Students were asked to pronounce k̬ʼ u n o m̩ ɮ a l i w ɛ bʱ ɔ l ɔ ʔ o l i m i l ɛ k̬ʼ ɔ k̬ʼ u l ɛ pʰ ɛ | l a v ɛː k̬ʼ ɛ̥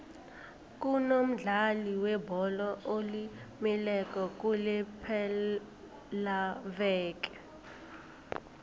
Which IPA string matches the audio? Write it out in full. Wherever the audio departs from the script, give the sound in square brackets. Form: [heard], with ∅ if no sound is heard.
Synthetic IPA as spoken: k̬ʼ u n o m̩ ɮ a l i w ɛ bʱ ɔ l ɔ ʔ o l i m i l ɛ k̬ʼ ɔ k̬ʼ u l ɛ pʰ ɛ | l a v ɛː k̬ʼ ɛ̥